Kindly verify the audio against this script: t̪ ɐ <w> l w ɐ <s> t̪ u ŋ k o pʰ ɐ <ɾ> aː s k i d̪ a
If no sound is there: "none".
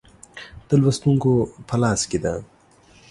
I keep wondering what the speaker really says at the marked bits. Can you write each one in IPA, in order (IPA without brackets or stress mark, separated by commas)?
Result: none, s, l